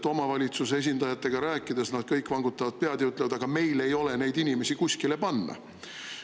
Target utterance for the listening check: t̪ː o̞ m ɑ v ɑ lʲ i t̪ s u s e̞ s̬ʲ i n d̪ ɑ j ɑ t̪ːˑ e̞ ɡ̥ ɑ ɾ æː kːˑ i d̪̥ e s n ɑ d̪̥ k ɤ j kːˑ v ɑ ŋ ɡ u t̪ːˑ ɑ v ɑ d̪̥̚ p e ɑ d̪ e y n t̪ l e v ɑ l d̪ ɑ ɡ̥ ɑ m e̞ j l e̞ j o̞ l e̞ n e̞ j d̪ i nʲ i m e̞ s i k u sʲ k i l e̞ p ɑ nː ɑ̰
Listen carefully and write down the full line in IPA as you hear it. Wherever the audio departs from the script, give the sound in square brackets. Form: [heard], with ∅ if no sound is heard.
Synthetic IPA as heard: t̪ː o̞ m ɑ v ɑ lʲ i t̪ s u s e̞ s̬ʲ i n d̪ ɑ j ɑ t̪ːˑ e̞ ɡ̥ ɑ ɾ æː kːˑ i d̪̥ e s n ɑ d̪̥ k ɤ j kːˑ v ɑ ŋ ɡ u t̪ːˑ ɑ v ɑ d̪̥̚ p e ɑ d̪ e y [∅] t̪ l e v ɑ [∅] d̪ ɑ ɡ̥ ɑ m e̞ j l e̞ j o̞ l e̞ n e̞ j d̪ i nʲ i m e̞ s i k u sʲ k i l e̞ p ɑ nː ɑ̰